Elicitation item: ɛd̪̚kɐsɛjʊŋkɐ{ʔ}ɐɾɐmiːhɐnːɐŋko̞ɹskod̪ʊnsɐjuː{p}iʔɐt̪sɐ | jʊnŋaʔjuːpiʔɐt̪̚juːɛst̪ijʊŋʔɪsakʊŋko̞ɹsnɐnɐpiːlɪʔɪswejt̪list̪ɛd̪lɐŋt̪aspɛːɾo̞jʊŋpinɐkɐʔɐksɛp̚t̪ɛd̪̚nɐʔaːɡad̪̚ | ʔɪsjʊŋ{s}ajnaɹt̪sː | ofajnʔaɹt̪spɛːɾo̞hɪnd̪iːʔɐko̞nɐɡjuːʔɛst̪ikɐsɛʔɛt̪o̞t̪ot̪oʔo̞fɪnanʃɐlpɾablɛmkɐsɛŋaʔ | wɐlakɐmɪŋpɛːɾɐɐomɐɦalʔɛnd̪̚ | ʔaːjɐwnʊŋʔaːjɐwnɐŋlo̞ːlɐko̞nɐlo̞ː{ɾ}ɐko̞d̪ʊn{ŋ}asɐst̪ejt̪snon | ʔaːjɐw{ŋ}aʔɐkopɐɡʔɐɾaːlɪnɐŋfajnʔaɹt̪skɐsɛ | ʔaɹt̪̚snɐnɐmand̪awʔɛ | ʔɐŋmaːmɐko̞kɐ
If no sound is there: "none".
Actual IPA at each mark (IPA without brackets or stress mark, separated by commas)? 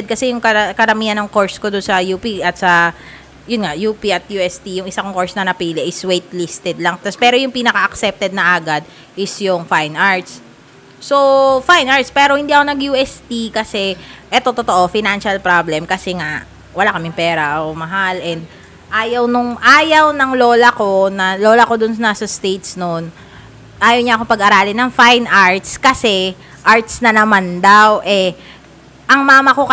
k, p, f, l, n, ɲ